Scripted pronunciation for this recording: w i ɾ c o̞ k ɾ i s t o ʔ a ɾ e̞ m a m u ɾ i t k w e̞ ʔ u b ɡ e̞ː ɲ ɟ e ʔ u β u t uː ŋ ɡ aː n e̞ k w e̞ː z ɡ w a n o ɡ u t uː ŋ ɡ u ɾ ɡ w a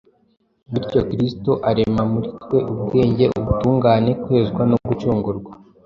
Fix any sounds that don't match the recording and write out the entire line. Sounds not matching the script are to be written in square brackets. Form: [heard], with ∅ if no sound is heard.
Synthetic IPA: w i ɾ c o̞ k ɾ i s t o ʔ a ɾ e̞ m a m u ɾ i t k w e̞ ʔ u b ɡ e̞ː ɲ ɟ e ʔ u β u t uː ŋ ɡ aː n e̞ k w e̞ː z ɡ w a n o ɡ u [t͡ʃ] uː ŋ ɡ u ɾ ɡ w a